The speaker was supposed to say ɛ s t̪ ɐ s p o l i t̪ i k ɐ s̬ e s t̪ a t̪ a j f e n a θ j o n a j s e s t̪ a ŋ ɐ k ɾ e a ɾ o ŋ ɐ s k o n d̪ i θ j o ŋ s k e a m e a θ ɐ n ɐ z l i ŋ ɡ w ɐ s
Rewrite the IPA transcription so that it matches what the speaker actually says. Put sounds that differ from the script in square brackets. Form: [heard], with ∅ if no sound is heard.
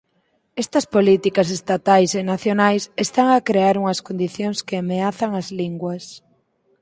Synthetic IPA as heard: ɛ s t̪ ɐ s p o l i t̪ i k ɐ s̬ e s t̪ a t̪ a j [s] e n a θ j o n a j s e s t̪ a ŋ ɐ k ɾ e a ɾ [u] ŋ ɐ s k o n d̪ i θ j o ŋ s k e a m e a θ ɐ [ŋ] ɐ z l i ŋ ɡ w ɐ s